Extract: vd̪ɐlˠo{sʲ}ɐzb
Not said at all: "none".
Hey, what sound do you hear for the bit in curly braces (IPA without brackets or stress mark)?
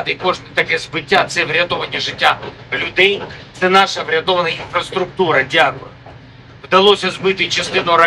sʲ